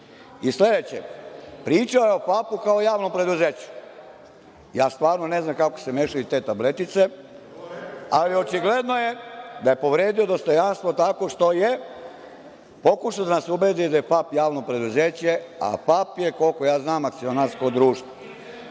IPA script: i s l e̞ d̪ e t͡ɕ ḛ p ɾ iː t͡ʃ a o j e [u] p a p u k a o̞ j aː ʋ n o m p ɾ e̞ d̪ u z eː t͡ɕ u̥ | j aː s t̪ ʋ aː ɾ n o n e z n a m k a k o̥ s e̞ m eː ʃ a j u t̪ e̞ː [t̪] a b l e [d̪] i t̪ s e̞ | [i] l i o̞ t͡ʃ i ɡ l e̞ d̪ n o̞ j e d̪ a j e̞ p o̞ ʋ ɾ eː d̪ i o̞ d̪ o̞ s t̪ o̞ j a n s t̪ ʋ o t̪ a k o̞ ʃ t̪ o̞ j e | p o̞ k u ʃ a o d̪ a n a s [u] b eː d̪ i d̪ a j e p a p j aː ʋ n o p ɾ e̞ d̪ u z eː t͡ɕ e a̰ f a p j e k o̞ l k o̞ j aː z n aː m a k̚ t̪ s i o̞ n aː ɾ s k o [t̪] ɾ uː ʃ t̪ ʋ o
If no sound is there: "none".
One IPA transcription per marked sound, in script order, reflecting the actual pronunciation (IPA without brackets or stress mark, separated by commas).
o, t̪, t̪, a, u, d̪